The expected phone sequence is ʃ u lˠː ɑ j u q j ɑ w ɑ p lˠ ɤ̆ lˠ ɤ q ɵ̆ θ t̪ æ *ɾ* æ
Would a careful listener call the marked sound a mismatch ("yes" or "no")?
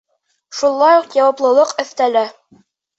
yes